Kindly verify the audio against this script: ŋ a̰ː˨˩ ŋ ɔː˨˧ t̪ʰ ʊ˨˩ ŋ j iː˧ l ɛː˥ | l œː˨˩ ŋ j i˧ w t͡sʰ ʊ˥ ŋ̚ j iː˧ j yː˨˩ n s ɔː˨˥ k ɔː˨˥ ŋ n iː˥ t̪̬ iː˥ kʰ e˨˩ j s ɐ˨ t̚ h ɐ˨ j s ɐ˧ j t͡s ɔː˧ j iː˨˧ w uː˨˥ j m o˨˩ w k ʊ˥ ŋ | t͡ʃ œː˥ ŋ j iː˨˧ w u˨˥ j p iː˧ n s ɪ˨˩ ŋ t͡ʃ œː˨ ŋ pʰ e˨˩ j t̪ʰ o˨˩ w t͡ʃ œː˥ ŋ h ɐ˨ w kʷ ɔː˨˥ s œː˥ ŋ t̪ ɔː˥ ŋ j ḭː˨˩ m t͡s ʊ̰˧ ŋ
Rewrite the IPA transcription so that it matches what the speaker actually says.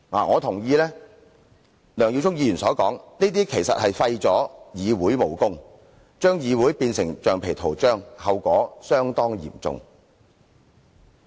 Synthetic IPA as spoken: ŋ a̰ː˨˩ ŋ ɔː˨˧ t̪ʰ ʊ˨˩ ŋ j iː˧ l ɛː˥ | l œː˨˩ ŋ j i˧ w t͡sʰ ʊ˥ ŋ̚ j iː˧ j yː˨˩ n s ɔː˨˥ k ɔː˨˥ ŋ n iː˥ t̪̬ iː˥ kʰ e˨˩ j s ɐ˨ t̚ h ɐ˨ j f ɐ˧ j t͡s ɔː˨˥ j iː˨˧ w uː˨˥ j m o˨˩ w k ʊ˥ ŋ | t͡ʃ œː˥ ŋ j iː˨˧ w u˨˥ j p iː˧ n s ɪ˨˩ ŋ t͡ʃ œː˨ ŋ pʰ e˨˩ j t̪ʰ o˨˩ w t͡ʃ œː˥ ŋ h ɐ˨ w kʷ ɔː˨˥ s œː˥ ŋ t̪ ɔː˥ ŋ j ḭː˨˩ m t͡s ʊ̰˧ ŋ

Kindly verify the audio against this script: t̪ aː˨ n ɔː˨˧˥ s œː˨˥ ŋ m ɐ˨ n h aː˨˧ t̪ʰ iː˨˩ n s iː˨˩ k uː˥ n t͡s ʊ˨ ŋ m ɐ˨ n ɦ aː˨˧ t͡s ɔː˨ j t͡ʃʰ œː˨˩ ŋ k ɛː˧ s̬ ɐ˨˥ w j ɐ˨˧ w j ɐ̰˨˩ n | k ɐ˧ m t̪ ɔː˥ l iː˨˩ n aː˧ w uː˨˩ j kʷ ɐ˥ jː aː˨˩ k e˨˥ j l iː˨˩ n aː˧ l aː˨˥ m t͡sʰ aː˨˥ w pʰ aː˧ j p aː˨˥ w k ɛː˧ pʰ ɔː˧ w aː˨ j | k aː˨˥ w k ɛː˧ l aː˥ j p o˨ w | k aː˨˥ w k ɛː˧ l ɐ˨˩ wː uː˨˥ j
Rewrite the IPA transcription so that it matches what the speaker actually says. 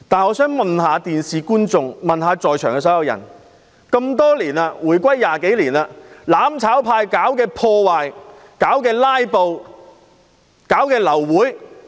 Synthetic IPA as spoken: t̪ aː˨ n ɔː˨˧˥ s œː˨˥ ŋ m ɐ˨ n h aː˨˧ t̪ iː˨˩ n s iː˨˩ k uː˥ n t͡s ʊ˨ ŋ m ɐ˨ n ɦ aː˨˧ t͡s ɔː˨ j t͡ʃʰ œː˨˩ ŋ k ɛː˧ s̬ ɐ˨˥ w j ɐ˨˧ w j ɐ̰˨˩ n | k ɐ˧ m t̪ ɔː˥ l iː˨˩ n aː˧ w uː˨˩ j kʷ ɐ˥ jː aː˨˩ k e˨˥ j l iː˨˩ n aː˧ l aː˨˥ m t͡sʰ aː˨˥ w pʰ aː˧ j k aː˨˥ w k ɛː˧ pʰ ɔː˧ w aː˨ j | k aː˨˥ w k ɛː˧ l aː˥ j p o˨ w | k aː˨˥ w k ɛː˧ l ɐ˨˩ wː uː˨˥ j

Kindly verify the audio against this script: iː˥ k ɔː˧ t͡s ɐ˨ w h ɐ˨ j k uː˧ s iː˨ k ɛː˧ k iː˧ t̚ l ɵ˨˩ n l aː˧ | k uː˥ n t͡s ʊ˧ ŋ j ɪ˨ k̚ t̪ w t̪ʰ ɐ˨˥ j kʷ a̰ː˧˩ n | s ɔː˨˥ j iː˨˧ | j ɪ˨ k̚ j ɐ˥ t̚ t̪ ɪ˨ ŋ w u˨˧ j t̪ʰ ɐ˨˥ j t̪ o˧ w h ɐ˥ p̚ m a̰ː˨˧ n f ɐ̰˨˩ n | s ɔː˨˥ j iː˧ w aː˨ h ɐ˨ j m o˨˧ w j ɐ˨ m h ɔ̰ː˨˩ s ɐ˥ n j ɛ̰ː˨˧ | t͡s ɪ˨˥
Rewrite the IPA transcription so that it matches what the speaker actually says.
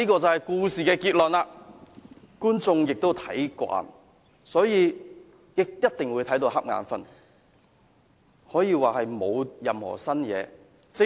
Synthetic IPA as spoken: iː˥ k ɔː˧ t͡s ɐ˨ w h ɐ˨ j k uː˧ s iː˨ k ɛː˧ k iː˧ t̚ l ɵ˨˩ n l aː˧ | k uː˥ n t͡s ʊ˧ ŋ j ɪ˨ k̚ t̪ w t̪ʰ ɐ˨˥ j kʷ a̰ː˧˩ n | s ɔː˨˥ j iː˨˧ | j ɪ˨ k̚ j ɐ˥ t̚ t̪ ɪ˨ ŋ w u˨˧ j t̪ʰ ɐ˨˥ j t̪ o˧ w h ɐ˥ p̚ ŋ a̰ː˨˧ n f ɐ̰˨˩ n | h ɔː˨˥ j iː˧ w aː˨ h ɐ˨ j m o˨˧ w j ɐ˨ m h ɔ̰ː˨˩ s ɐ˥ n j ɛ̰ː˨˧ | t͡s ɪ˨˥

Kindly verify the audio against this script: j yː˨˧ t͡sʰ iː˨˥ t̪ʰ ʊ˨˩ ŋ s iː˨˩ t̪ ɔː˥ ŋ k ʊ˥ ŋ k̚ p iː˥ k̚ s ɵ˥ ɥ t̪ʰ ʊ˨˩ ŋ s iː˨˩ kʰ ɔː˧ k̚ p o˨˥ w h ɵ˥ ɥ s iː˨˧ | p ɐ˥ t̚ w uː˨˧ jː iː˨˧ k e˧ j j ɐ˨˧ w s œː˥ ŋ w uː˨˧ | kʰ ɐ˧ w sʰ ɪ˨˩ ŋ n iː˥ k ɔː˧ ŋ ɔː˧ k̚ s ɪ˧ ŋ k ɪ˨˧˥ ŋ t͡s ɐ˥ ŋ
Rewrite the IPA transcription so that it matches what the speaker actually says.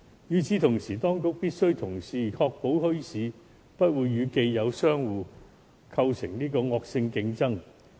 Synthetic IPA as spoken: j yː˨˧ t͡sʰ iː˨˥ t̪ʰ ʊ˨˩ ŋ s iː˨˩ t̪ ɔː˥ ŋ k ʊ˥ k̚ p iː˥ t̚ s ɵ˥ ɥ t̪ʰ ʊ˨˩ ŋ s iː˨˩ kʰ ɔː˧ k̚ p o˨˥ w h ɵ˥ ɥ s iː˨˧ | p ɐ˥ t̚ w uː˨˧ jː yː˨˧ k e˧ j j ɐ˨˧ w s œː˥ ŋ w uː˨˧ | kʰ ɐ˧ w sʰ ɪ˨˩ ŋ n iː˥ k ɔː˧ ŋ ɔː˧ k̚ s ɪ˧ ŋ k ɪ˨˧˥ ŋ t͡s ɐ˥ ŋ

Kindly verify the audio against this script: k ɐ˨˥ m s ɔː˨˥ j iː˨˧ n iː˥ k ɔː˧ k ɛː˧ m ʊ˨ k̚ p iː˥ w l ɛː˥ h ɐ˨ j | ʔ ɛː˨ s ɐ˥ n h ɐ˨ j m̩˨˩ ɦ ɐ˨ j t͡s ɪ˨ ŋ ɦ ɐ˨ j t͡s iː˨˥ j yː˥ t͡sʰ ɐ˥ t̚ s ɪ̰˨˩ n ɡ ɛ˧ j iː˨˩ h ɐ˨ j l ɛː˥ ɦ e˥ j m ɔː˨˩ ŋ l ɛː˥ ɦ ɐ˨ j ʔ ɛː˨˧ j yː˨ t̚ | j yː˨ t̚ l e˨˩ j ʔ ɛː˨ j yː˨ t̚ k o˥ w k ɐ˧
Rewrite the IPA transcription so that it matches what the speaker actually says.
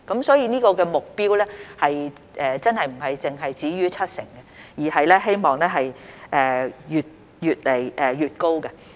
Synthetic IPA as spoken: k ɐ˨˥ m s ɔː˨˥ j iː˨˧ n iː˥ k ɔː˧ k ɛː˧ m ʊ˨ k̚ p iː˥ w l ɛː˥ h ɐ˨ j | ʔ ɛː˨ t͡s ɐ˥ n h ɐ˨ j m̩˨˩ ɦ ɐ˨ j t͡s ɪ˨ ŋ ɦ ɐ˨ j t͡s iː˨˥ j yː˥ t͡sʰ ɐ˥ t̚ s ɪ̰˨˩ ŋ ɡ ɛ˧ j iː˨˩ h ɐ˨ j l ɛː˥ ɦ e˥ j m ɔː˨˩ ŋ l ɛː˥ ɦ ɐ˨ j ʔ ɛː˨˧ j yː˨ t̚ | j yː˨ t̚ l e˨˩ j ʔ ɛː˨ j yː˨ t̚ k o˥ w k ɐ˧

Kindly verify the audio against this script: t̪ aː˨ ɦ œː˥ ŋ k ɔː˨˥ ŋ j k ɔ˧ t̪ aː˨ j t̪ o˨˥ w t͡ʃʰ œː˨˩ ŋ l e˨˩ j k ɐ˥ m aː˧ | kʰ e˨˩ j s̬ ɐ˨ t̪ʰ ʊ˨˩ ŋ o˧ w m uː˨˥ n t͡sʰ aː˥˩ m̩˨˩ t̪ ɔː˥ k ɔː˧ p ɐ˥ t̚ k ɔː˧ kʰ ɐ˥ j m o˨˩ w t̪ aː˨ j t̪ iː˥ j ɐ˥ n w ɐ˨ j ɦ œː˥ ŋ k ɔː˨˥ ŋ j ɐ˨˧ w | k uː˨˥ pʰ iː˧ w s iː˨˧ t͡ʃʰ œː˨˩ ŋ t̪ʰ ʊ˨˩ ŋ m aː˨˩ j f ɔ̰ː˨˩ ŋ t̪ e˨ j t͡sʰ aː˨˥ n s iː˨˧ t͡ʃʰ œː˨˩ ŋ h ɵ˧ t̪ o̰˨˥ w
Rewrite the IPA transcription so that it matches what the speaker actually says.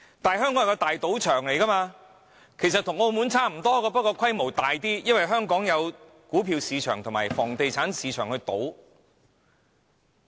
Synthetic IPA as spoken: t̪ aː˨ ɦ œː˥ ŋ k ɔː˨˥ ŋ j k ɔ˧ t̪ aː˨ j t̪ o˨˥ w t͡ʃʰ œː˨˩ ŋ l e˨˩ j k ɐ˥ m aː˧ | kʰ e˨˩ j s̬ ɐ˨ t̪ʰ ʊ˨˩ ŋ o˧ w m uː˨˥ n t͡sʰ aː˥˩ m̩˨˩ t̪ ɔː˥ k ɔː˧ p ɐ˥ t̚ k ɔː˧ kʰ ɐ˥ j m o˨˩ w t̪ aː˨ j t̪ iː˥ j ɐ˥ n w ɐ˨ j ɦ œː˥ ŋ k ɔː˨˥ ŋ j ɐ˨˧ w | k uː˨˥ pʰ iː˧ w s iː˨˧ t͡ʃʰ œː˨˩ ŋ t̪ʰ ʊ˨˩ ŋ m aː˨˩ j f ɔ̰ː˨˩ ŋ t̪ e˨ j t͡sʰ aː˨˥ n s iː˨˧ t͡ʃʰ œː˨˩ ŋ h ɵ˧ t̪ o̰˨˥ w

